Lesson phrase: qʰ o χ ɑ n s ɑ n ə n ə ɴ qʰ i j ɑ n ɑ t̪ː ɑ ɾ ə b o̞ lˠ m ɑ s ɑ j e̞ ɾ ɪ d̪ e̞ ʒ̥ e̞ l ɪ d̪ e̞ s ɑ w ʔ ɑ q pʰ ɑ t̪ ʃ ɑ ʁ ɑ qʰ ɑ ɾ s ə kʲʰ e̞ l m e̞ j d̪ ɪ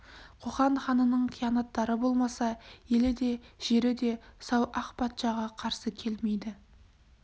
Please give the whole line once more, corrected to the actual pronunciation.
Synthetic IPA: qʰ o χ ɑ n χ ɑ n ə n ə ɴ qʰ i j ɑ n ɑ t̪ː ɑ ɾ ə b o̞ lˠ m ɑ s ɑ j e̞ l ɪ d̪ e̞ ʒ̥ e̞ ɾ ɪ d̪ e̞ s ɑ w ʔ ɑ q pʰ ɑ t̪ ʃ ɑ ʁ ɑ qʰ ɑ ɾ s ə kʲʰ e̞ l m e̞ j d̪ ɪ